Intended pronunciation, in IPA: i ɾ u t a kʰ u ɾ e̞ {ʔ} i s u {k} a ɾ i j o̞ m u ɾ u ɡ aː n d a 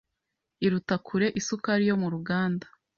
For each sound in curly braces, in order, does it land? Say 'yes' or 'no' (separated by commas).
yes, yes